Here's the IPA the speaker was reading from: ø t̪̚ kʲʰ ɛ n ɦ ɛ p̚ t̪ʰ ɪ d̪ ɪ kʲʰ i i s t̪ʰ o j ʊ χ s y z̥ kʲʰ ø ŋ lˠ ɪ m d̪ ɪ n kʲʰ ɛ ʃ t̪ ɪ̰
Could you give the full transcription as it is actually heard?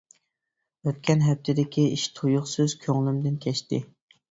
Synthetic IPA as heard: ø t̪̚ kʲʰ ɛ n ɦ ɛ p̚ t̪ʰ ɪ d̪ ɪ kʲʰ i i ʃ t̪ʰ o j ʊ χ s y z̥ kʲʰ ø ŋ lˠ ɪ m d̪ ɪ n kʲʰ ɛ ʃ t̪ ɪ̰